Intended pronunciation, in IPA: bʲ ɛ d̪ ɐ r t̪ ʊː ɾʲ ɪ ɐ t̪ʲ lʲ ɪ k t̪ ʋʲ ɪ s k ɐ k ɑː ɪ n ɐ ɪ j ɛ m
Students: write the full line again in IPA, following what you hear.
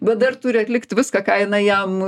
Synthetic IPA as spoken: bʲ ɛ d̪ ɐ r t̪ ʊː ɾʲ ɪ ɐ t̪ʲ lʲ ɪ k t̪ ʋʲ ɪ s k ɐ k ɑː ɪ n ɐ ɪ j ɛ m